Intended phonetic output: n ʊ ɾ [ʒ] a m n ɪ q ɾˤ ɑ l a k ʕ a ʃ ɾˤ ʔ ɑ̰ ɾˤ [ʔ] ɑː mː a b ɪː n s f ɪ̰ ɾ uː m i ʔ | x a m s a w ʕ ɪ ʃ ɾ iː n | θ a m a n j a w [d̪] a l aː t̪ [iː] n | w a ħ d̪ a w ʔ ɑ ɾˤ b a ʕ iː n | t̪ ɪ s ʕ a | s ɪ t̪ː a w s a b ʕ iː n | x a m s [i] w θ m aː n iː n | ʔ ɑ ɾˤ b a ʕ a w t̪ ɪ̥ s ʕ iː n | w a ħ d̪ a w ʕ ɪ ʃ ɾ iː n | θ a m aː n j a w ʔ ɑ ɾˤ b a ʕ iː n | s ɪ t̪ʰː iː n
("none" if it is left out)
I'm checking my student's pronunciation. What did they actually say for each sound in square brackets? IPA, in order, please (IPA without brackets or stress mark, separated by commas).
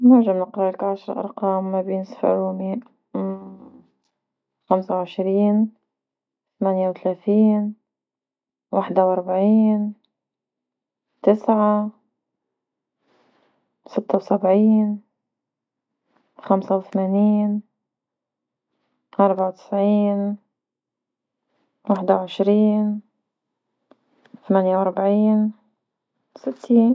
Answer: ʒ, q, t̪, iː, a